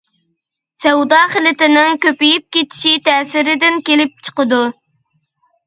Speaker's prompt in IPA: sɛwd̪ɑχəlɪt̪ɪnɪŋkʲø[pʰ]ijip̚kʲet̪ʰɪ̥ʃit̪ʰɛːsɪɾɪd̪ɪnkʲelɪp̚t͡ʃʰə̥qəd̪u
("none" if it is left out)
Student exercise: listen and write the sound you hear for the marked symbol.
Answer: p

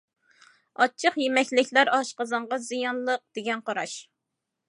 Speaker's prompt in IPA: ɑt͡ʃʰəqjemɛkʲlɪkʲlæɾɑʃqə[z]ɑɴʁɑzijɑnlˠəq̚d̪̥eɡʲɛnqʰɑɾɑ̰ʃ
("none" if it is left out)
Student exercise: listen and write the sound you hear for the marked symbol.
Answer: z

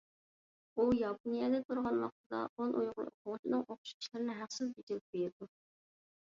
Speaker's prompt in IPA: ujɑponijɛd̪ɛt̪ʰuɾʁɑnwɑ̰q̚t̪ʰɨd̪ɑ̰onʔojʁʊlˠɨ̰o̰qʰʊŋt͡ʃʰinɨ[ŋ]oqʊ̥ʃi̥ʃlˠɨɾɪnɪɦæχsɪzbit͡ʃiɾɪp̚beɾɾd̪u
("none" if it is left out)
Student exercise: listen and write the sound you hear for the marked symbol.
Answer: ŋ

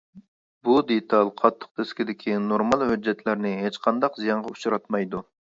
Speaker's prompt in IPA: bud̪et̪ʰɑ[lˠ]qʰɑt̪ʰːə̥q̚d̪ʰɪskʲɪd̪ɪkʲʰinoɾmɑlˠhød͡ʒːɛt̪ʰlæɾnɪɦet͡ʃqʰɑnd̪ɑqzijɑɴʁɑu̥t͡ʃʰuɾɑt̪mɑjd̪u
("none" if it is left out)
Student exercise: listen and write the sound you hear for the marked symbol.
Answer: lˠ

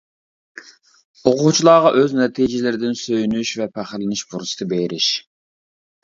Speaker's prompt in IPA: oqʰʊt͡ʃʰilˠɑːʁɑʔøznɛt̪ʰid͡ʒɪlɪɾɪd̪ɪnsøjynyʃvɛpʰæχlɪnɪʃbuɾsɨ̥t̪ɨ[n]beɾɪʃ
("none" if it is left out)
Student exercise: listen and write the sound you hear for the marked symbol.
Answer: none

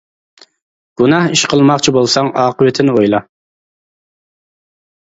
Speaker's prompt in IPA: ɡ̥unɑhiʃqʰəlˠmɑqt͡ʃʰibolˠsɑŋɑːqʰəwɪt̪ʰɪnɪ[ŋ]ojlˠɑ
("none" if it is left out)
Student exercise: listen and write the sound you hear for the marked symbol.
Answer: none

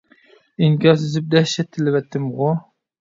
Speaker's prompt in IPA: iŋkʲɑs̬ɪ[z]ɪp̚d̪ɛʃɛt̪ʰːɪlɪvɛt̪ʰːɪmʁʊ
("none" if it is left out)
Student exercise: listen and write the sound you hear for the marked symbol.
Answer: z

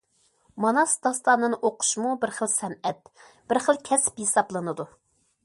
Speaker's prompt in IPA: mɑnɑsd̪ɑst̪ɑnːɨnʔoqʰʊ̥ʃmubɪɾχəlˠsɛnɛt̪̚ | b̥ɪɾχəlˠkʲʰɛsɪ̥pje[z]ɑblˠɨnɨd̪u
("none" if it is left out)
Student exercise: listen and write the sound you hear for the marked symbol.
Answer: s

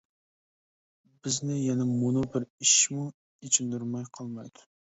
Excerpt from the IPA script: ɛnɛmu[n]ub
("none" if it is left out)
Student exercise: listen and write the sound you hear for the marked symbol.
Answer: n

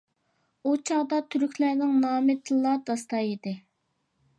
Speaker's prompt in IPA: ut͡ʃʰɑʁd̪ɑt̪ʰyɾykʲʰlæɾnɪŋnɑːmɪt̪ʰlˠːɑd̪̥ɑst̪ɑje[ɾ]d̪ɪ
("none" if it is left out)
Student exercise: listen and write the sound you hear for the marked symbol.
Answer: none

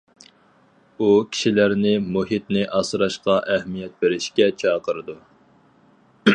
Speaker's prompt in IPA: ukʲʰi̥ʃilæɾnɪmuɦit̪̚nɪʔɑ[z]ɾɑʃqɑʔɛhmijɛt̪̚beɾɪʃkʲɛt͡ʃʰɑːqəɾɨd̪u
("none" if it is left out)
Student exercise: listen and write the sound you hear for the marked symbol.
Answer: s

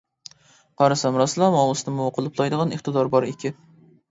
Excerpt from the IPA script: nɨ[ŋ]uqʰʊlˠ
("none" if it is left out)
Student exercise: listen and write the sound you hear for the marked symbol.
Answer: m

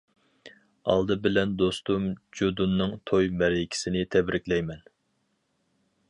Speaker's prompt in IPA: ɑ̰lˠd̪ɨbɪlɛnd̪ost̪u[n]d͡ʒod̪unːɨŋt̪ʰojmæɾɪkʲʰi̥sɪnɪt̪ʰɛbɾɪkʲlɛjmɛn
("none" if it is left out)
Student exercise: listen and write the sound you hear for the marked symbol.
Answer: m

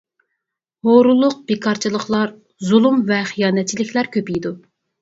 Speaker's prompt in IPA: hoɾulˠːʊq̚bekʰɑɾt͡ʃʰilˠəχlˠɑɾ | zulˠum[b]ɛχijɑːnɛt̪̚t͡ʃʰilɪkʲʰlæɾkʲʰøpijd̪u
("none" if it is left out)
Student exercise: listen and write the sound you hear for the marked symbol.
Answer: v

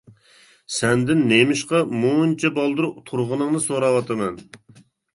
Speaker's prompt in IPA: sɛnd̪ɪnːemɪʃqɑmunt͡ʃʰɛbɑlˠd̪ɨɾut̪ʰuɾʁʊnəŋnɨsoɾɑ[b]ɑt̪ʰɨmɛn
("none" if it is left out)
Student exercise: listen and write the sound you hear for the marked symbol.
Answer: w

